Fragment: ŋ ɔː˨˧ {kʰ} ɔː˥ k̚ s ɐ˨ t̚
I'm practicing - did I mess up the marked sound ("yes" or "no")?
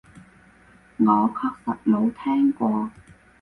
no